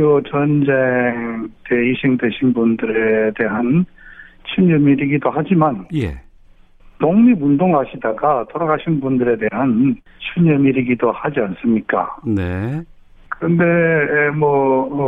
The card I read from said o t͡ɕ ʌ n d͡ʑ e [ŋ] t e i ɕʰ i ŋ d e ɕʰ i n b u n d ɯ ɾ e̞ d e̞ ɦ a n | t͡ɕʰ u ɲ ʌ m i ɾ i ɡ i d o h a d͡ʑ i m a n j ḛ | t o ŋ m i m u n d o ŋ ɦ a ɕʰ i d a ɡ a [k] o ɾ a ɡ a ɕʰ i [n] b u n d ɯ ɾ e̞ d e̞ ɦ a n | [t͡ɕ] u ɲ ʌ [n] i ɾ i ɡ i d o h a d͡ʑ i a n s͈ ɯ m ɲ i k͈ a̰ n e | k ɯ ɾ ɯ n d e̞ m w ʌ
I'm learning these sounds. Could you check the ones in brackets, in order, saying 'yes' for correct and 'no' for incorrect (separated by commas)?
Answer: yes, no, yes, no, no